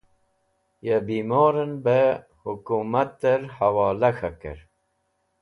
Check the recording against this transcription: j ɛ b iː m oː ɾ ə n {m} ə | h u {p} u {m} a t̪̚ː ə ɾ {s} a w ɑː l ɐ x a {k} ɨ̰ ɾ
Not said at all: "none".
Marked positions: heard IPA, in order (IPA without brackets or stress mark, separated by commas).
b, k, m, h, k